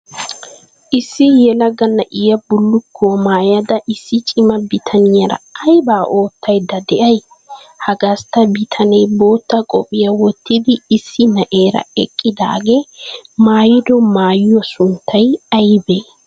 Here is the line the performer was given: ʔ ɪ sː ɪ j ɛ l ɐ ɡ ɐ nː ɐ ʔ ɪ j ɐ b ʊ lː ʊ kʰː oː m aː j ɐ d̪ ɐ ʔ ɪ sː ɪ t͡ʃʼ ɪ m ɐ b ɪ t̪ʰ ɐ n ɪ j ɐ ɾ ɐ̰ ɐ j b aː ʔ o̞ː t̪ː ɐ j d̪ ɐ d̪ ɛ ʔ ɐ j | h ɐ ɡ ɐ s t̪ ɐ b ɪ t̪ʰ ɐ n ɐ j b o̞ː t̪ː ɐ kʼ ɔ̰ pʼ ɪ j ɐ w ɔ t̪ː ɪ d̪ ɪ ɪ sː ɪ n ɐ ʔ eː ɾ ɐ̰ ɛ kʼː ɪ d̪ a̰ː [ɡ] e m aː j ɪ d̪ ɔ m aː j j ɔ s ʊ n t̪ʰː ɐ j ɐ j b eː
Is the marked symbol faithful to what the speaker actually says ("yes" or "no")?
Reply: yes